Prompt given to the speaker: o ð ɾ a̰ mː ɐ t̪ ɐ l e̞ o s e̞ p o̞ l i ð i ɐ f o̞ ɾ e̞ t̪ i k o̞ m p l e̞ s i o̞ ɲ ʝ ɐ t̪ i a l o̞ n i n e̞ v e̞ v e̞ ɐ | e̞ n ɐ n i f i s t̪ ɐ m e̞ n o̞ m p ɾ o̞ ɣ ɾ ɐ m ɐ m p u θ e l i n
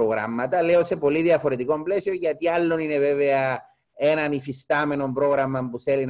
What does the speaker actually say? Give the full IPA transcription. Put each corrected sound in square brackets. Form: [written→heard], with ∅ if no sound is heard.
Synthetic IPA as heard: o [ð→ɣ] ɾ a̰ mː ɐ t̪ ɐ l e̞ o s e̞ p o̞ l i ð i ɐ f o̞ ɾ e̞ t̪ i k o̞ m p l e̞ s i o̞ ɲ ʝ ɐ t̪ i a [l→lː] o̞ n i n e̞ v e̞ v e̞ ɐ | e̞ n ɐ n i f i s t̪ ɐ m e̞ n o̞ m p ɾ o̞ ɣ ɾ ɐ m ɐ m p u θ e l i n